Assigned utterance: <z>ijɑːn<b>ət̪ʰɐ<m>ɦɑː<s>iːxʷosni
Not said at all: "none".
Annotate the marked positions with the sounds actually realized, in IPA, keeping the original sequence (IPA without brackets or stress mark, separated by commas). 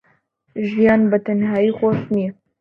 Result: ʒ, b, n, none